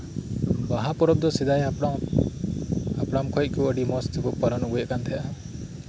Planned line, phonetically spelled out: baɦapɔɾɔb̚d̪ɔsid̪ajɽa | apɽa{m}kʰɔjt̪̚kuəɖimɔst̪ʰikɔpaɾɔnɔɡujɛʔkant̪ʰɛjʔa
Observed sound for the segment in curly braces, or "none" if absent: m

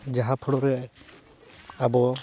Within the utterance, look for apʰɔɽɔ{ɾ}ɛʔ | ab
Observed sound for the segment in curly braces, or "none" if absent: ɾ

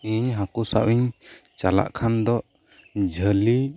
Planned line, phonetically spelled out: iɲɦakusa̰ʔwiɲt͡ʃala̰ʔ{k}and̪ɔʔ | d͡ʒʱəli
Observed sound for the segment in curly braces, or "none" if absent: kʰ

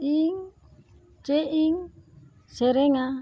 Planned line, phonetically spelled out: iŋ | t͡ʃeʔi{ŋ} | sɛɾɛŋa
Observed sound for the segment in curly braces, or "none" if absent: ŋ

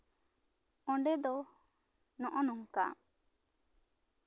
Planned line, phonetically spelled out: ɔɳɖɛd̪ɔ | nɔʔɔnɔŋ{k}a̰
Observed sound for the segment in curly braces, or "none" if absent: k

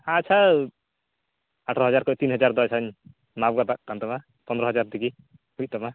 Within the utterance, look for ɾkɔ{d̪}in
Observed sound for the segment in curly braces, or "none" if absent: t̪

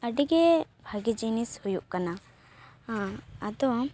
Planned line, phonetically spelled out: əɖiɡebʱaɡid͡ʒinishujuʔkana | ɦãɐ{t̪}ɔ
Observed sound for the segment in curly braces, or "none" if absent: d̪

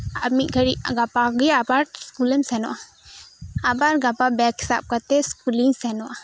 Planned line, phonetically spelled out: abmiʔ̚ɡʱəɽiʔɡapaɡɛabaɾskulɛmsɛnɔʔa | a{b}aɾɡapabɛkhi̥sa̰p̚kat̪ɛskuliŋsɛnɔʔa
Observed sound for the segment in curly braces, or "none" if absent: b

